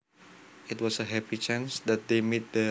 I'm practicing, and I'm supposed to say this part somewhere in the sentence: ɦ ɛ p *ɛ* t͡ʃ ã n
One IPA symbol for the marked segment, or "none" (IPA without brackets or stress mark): i